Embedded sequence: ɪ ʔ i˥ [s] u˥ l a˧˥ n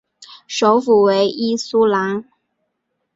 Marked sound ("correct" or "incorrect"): correct